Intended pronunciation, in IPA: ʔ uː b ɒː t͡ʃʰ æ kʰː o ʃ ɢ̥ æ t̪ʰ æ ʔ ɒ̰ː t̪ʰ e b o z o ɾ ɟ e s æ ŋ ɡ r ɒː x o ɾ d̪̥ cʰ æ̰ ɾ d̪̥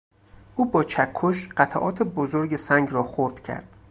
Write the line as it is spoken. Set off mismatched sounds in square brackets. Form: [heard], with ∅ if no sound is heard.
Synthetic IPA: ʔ uː b ɒː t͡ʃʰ æ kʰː o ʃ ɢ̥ æ t̪ʰ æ ʔ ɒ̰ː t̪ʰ e b o z o ɾ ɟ e s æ ŋ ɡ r ɒː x o ɾ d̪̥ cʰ æ̰ ɾ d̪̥